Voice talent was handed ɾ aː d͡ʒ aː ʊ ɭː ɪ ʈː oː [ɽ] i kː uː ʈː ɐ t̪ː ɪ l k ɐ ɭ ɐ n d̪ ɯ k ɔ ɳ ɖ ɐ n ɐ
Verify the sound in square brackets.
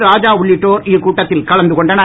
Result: incorrect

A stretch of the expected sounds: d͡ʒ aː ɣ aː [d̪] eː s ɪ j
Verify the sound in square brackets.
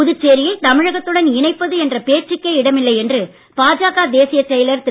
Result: correct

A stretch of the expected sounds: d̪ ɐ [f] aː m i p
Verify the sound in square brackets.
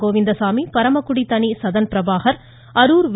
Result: incorrect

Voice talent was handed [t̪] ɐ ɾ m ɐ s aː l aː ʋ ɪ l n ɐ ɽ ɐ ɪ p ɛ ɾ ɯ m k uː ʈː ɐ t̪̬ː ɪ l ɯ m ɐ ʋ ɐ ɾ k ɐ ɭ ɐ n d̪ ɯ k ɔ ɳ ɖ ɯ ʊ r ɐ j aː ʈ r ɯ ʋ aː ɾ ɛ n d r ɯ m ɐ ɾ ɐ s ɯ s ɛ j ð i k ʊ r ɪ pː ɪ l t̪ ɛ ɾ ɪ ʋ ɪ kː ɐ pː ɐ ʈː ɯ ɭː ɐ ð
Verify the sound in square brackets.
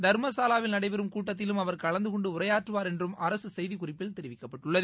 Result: incorrect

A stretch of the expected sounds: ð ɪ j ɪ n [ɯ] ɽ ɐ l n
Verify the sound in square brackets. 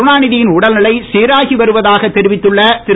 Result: incorrect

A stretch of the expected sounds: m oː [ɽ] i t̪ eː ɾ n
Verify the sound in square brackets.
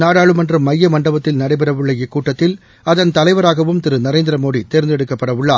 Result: correct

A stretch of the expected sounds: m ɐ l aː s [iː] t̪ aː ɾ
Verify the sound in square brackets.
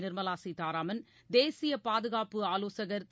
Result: incorrect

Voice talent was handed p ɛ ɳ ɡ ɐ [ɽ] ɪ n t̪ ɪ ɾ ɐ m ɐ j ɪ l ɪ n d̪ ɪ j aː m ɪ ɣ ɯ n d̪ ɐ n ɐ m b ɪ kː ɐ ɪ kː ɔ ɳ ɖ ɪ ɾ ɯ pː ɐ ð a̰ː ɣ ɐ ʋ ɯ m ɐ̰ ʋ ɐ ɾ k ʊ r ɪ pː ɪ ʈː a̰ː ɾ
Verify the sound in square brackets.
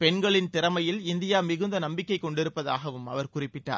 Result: incorrect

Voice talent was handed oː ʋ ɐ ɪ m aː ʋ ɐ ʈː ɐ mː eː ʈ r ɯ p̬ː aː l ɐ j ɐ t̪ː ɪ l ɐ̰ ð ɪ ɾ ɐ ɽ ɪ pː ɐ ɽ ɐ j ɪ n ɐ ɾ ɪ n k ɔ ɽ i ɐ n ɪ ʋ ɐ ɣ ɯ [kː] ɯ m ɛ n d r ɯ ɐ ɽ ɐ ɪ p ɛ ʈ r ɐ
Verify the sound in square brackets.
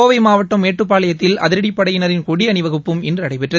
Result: incorrect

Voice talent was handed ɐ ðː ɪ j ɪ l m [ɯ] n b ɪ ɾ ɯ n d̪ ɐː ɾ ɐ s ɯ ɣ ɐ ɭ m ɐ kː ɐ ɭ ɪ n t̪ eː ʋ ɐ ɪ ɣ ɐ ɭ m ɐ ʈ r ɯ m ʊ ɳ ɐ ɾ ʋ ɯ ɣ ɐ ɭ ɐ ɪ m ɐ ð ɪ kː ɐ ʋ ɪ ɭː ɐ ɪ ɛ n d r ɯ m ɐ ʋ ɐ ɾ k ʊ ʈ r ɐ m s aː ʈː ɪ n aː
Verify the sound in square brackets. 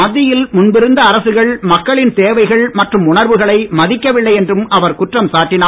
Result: incorrect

